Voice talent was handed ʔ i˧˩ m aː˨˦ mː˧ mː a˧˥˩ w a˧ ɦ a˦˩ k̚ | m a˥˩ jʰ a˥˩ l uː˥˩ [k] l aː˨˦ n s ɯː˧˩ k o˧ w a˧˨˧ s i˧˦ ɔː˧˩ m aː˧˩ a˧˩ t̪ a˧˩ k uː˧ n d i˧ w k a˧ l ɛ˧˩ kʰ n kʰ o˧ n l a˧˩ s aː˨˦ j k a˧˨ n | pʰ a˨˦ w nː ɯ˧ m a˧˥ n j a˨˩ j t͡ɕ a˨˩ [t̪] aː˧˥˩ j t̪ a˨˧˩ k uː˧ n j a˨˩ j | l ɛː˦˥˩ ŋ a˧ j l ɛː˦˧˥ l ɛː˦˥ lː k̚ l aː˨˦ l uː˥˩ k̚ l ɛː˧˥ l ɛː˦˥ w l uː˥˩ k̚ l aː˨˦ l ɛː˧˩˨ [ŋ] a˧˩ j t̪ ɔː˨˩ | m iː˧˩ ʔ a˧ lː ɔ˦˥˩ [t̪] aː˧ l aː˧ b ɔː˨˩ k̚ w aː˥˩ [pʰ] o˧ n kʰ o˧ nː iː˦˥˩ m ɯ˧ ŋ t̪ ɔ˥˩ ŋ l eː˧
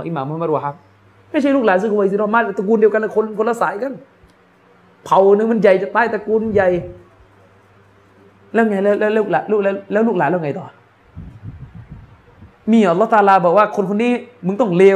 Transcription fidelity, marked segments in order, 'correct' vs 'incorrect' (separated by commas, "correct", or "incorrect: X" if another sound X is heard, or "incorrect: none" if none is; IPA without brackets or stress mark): correct, correct, correct, correct, incorrect: kʰ